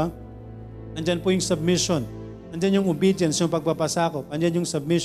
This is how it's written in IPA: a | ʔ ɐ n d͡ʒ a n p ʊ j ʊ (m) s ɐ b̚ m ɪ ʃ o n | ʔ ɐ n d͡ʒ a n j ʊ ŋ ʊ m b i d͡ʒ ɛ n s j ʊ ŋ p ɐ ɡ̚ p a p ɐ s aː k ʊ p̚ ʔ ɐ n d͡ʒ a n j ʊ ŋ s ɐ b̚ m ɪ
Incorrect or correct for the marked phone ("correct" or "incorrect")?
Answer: incorrect